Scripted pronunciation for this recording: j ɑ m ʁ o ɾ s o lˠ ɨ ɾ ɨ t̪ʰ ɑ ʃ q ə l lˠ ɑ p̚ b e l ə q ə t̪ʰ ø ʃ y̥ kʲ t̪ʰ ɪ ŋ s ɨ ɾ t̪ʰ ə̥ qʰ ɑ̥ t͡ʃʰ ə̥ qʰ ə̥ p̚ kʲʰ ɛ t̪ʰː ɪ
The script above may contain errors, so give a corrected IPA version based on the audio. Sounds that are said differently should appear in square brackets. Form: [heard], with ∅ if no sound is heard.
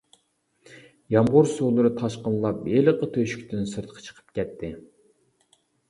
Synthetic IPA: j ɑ m ʁ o ɾ s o lˠ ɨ ɾ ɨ t̪ʰ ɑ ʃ q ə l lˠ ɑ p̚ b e l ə q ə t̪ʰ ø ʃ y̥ kʲ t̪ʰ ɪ [n] s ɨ ɾ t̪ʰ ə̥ qʰ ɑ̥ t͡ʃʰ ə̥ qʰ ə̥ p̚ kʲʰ ɛ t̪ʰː ɪ